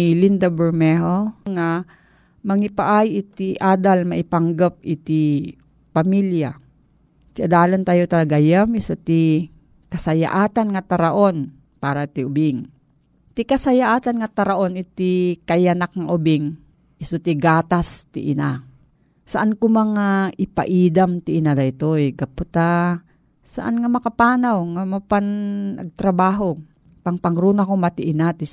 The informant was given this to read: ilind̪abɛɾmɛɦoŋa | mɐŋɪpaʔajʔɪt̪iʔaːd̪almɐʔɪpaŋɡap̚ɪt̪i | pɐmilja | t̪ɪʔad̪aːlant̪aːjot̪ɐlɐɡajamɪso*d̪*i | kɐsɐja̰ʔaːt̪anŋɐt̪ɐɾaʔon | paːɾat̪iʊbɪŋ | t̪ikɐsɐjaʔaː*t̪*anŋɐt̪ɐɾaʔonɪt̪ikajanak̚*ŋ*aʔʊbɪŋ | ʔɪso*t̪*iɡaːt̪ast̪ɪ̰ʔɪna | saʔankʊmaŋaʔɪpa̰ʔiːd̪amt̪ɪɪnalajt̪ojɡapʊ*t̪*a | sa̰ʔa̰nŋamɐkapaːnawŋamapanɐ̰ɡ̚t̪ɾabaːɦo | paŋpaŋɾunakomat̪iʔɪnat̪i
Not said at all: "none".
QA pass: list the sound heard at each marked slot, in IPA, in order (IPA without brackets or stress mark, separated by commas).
t̪, t̪, ŋ, t̪, t̪